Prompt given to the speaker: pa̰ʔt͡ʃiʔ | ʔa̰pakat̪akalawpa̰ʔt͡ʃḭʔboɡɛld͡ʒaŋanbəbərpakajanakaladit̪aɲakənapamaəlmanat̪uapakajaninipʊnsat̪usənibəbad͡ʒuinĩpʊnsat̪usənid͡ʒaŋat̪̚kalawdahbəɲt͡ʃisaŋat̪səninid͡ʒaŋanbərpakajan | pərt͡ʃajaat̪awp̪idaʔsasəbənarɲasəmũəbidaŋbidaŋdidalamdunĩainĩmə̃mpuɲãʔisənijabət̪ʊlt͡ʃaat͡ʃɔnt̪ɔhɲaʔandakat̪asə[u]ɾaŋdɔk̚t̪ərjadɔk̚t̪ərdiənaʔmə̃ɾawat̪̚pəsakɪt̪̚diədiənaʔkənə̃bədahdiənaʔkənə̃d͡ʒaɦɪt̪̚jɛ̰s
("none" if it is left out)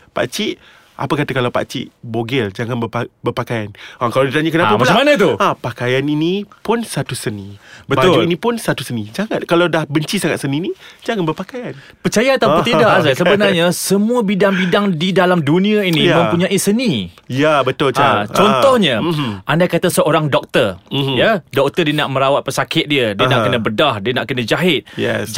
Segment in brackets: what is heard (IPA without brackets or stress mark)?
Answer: o